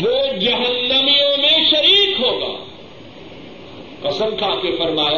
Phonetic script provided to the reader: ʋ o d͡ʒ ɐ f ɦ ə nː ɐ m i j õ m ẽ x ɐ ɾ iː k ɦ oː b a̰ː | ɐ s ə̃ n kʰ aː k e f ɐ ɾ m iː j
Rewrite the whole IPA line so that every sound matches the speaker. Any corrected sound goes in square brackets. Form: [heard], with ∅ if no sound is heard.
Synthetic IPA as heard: ʋ o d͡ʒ ɐ [∅] ɦ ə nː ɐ m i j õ m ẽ [ʃ] ɐ ɾ iː k ɦ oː [ɡ] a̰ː | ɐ s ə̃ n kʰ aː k e f ɐ ɾ m [aː] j